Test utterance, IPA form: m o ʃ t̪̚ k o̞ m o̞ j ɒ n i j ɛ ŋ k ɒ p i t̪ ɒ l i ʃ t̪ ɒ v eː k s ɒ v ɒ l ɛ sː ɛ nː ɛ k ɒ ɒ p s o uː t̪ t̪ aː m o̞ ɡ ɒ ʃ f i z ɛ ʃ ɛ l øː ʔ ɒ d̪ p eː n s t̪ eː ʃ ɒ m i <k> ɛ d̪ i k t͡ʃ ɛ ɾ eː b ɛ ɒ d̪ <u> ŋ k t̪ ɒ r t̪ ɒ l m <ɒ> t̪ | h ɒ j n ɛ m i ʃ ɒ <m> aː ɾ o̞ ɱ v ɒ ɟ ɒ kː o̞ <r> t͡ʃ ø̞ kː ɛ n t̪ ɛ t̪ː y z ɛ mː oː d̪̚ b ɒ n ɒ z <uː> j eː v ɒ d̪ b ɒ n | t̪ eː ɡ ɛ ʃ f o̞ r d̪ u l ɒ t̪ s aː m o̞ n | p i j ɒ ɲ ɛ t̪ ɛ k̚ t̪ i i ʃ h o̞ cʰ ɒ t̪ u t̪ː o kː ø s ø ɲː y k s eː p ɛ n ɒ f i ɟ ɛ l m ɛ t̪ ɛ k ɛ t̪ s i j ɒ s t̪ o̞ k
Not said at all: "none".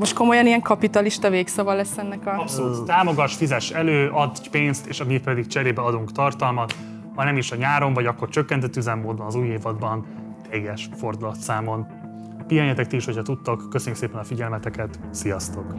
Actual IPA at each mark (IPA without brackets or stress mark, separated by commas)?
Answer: p, u, ɒ, ɲ, r, uː